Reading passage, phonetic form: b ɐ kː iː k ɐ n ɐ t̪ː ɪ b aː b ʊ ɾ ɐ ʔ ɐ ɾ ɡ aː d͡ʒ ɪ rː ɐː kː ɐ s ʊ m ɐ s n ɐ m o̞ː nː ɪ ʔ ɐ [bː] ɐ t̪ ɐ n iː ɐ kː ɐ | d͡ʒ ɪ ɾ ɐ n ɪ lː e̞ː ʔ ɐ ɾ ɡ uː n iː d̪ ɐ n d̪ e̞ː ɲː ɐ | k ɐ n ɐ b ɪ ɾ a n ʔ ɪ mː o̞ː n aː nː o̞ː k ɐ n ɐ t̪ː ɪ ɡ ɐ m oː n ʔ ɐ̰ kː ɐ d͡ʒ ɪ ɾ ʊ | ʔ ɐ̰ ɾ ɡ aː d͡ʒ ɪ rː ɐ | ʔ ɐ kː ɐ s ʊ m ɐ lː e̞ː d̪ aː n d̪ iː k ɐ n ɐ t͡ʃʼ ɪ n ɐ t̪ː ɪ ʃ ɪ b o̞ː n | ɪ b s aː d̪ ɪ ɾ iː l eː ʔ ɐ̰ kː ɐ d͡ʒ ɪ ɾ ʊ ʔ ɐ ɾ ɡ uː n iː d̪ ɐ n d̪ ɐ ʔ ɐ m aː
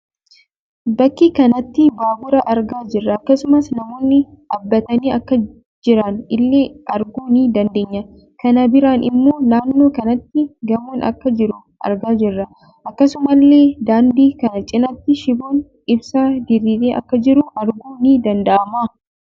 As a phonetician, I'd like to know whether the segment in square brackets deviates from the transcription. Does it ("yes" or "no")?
no